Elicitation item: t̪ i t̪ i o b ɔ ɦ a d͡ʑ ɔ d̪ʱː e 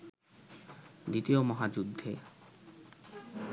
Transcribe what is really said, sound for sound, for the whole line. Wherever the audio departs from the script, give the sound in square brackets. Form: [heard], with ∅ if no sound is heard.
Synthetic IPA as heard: [d̪] i t̪ i o [m] ɔ ɦ a d͡ʑ [u] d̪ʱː e